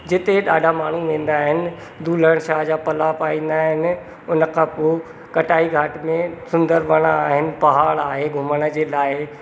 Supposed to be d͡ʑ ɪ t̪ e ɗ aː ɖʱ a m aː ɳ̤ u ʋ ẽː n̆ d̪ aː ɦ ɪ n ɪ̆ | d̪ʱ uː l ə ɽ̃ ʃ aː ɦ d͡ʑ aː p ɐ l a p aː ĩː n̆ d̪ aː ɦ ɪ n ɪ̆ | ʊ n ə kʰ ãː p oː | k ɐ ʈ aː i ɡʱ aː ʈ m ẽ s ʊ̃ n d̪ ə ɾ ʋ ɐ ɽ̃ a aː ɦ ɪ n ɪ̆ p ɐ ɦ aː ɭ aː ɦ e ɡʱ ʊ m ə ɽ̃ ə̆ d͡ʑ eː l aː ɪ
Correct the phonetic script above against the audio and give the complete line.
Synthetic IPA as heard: d͡ʑ ɪ t̪ e ɗ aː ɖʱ a m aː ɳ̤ u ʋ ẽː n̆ d̪ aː ɦ ɪ n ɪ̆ | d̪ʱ uː l ə ɽ̃ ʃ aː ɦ d͡ʑ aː p ɐ l a p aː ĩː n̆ d̪ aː ɦ ɪ n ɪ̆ | ʊ n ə kʰ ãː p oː | k ɐ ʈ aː i ɡʱ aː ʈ m ẽ s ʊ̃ n d̪ ə ɾ ʋ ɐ ɽ̃ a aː ɦ ɪ n ɪ̆ p ɐ ɦ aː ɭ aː ɦ e ɡʱ ʊ m ə ɽ̃ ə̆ d͡ʑ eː l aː ɪ